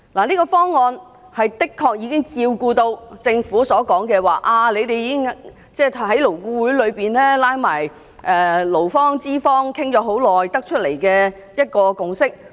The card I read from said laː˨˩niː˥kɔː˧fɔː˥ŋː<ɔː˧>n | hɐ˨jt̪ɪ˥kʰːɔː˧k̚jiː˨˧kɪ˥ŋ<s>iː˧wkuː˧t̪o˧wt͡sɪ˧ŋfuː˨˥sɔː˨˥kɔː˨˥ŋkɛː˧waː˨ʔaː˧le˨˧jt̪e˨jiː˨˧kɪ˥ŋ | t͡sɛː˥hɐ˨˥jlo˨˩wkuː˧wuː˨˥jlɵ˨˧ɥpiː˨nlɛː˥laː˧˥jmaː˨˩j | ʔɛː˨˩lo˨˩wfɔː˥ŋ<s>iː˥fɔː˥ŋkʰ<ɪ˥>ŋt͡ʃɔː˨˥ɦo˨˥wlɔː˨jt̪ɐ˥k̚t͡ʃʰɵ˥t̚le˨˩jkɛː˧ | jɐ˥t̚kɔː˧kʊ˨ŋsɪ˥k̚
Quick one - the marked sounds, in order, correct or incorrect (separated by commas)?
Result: correct, incorrect, incorrect, correct